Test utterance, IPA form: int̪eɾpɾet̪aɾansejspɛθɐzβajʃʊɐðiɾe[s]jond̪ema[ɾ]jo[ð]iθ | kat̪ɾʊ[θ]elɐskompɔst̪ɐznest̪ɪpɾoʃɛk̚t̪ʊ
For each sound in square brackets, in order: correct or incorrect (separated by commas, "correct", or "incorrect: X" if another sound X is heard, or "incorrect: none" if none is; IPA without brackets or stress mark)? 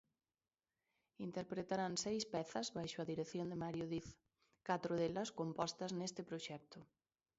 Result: incorrect: θ, correct, correct, incorrect: ð